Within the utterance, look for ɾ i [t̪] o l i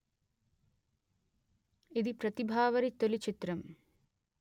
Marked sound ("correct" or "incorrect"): correct